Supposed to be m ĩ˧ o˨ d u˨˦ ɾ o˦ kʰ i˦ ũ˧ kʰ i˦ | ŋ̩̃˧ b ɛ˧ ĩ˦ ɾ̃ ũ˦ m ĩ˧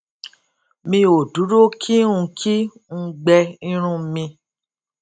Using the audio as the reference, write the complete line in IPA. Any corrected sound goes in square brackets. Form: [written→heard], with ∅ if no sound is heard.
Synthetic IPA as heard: m ĩ˧ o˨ d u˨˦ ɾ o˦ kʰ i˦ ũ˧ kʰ i˦ | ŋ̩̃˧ [b→ɡ͡b] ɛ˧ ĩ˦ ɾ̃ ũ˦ m ĩ˧